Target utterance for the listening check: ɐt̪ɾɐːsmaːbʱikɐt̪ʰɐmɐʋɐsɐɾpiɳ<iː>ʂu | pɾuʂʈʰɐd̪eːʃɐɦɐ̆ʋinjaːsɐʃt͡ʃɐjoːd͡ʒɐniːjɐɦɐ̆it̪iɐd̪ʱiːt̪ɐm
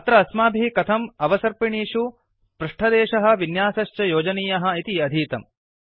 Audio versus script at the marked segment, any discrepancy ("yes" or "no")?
no